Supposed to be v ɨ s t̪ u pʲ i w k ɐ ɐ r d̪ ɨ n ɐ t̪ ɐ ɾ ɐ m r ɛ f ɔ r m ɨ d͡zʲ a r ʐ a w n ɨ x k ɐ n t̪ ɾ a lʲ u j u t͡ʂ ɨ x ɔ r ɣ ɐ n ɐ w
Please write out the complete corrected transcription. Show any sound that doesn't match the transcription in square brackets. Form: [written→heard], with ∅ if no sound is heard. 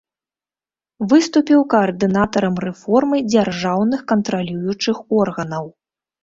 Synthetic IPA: v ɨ s t̪ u pʲ i w k ɐ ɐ r d̪ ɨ n [ɐ→a] t̪ ɐ ɾ ɐ m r ɛ f ɔ r m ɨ d͡zʲ a r ʐ a w n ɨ x k ɐ n t̪ ɾ a lʲ u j u t͡ʂ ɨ x ɔ r ɣ ɐ n ɐ w